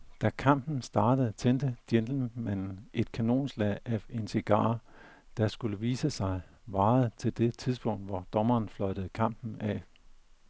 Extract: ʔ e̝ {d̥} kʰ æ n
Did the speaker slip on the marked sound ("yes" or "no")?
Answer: no